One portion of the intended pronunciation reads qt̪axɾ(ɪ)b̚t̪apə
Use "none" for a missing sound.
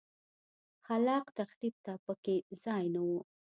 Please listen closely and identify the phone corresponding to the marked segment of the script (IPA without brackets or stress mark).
i